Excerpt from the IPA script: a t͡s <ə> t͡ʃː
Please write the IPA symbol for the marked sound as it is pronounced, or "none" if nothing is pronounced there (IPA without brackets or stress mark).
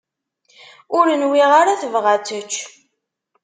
ə